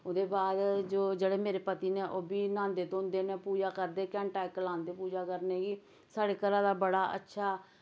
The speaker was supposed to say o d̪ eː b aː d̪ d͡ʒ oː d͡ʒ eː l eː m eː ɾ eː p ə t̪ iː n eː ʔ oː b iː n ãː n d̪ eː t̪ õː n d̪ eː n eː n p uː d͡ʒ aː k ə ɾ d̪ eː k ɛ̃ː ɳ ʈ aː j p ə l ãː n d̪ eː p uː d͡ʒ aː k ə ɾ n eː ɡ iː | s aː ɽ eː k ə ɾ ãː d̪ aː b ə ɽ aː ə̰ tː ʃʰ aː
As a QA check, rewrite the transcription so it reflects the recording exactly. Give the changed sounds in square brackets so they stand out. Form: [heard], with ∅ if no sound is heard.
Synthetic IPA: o d̪ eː b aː d̪ d͡ʒ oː d͡ʒ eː [ɽ] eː m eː ɾ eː p ə t̪ iː n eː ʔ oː b iː n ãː n d̪ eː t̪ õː n d̪ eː n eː [∅] p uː d͡ʒ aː k ə ɾ d̪ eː k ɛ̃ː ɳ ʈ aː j [k] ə l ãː n d̪ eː p uː d͡ʒ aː k ə ɾ n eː ɡ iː | s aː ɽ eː k ə ɾ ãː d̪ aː b ə ɽ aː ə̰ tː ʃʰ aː